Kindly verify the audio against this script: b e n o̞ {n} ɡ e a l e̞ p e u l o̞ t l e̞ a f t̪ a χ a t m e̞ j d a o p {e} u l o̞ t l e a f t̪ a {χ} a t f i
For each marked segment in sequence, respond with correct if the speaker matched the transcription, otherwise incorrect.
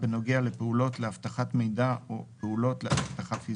incorrect: none, correct, correct

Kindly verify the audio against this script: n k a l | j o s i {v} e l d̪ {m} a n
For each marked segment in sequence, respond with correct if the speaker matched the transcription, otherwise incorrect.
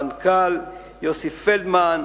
incorrect: f, correct

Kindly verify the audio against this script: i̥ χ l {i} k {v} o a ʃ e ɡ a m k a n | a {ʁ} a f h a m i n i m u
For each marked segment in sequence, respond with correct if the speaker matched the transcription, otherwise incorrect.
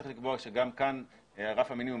correct, incorrect: b, correct

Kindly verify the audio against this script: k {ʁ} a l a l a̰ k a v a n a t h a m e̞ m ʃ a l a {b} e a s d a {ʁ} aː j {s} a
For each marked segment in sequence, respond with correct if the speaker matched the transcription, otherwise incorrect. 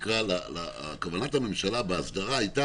correct, correct, correct, incorrect: t

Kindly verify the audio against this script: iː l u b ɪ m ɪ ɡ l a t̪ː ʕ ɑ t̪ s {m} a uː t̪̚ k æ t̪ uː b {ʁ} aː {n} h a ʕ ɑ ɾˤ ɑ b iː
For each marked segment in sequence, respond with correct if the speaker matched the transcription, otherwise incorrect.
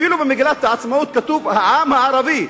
correct, incorrect: ʕ, incorrect: m

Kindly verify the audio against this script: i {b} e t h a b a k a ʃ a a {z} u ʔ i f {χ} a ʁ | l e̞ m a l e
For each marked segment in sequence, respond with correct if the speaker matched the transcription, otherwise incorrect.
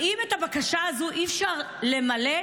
incorrect: m, correct, incorrect: ʃ

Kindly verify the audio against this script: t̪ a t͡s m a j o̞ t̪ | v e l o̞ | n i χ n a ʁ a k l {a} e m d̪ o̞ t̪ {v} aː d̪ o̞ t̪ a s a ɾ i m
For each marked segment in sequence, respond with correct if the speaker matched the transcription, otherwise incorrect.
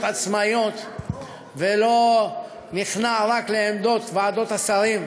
incorrect: e, correct

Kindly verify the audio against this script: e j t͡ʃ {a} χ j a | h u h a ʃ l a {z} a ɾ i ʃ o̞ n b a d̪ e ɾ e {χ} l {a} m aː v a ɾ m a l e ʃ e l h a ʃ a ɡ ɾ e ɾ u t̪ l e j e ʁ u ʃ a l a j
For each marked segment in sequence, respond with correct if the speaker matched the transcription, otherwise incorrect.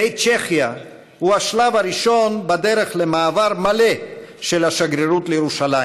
incorrect: e, incorrect: v, correct, incorrect: e

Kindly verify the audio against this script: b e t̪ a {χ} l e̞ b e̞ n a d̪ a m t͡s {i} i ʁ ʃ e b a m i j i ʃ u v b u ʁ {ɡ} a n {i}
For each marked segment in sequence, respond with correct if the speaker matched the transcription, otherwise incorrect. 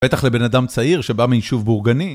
correct, incorrect: a, correct, correct

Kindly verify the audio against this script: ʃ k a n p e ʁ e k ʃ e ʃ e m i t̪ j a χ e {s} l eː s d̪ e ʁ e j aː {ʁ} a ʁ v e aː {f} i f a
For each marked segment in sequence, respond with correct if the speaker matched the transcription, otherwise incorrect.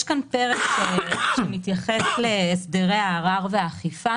correct, correct, incorrect: χ

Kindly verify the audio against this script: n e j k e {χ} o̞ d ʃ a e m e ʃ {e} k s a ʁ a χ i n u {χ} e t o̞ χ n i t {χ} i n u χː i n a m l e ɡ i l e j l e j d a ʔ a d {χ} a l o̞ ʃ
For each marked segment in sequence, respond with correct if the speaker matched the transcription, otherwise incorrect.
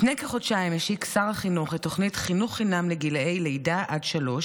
correct, incorrect: i, correct, correct, incorrect: ʃ

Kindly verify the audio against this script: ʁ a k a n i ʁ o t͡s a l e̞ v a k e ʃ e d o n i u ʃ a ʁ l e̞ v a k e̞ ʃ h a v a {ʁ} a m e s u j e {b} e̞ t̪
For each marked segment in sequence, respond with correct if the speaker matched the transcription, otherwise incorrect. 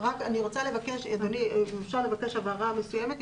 correct, incorrect: m

